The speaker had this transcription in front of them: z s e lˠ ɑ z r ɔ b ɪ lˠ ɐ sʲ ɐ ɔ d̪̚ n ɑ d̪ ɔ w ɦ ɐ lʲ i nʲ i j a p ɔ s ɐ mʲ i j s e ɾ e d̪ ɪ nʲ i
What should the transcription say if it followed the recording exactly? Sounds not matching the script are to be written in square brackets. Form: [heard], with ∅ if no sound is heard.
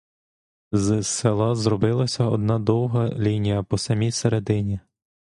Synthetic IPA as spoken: z s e lˠ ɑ z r ɔ b ɪ lˠ ɐ sʲ ɐ ɔ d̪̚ n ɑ d̪ ɔ w ɦ ɐ lʲ i nʲ i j [ɐ] p ɔ s ɐ mʲ i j s e ɾ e d̪ ɪ nʲ i